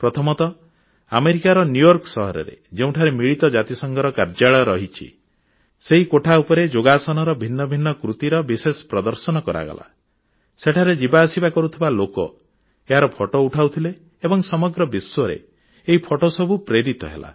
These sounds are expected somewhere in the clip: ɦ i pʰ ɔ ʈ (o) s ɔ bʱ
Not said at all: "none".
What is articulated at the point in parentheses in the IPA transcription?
o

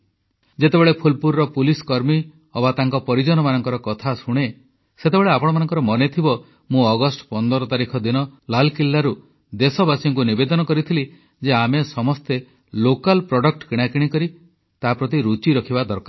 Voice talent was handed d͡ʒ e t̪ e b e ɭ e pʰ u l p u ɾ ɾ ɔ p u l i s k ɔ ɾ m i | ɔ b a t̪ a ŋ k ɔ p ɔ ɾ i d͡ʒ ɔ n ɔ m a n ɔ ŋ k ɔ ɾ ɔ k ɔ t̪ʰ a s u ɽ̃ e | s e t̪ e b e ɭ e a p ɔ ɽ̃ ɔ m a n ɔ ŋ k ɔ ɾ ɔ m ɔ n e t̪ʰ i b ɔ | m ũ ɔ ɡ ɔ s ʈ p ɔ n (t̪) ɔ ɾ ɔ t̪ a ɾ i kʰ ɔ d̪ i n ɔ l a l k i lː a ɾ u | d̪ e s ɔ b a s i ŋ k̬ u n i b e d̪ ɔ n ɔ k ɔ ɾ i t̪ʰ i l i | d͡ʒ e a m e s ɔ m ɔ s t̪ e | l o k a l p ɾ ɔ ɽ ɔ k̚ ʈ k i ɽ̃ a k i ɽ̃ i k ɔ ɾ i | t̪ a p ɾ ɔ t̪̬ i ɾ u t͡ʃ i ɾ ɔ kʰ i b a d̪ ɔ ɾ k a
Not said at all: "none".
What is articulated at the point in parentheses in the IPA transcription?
d̪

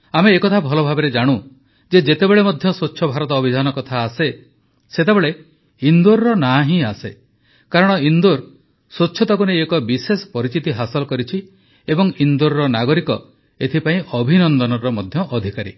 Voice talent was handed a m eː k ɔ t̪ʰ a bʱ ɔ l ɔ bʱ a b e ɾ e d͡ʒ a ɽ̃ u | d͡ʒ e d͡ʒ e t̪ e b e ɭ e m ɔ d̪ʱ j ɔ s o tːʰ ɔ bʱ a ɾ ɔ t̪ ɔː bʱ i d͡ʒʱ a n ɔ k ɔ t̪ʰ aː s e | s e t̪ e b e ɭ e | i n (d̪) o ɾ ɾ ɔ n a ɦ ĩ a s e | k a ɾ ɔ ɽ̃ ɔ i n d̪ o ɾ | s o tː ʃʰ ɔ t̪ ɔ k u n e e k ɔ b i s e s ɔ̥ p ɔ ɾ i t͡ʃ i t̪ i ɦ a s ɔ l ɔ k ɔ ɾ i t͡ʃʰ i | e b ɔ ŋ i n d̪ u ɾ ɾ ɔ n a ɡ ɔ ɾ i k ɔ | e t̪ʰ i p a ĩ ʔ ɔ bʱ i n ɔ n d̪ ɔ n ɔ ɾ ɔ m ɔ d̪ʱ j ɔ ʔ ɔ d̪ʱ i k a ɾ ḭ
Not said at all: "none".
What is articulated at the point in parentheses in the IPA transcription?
d̪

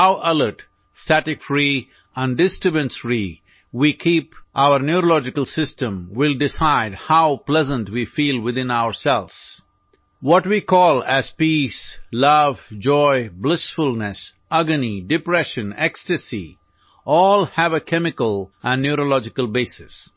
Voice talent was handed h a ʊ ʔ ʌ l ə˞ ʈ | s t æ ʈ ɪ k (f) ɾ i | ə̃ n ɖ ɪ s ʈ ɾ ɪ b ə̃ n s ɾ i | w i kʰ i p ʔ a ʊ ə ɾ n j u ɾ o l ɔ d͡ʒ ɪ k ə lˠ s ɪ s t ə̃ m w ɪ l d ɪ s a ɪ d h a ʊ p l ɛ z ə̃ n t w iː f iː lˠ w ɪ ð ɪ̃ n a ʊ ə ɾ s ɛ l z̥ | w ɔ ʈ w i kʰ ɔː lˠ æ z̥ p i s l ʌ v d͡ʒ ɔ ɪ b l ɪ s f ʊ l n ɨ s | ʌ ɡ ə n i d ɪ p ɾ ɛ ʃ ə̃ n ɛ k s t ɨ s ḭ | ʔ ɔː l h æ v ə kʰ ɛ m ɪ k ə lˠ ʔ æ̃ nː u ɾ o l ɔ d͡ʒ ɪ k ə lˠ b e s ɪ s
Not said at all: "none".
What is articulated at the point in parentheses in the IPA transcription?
f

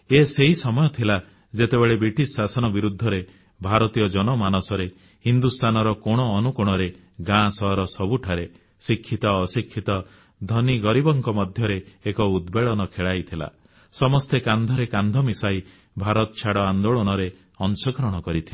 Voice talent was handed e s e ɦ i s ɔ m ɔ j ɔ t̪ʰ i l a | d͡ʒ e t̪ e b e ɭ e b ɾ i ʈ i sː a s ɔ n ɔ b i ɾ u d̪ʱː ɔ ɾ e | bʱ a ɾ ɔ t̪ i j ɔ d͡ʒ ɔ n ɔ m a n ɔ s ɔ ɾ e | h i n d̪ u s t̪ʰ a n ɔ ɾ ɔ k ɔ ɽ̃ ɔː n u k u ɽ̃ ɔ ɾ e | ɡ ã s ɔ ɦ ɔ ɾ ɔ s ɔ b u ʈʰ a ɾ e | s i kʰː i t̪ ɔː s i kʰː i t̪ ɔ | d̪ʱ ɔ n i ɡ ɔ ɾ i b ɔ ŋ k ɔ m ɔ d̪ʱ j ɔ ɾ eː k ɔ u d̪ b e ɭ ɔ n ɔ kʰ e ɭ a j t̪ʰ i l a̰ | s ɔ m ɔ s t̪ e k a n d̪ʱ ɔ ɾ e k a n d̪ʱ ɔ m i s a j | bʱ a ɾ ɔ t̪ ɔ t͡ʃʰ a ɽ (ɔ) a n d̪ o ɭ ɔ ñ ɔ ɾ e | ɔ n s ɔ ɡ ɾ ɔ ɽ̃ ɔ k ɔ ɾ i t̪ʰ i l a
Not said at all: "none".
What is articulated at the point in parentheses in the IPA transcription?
ɔ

